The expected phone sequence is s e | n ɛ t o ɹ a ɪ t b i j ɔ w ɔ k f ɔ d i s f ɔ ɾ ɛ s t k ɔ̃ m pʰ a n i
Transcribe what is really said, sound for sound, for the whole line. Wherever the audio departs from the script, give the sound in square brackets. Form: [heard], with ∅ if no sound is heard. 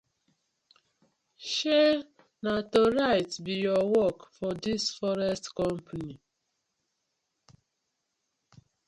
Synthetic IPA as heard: [ʃ] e | n [a] t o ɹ a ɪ t b i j ɔ w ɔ k f ɔ d i s f ɔ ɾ ɛ s t k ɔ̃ m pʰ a n i